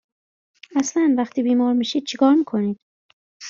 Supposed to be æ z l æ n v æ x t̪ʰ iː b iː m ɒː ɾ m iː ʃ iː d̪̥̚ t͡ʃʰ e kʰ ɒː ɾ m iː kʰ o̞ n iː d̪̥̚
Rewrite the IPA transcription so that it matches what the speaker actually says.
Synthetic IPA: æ s l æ n v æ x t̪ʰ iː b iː m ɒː ɾ m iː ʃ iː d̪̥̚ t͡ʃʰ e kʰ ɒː ɾ m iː kʰ o̞ n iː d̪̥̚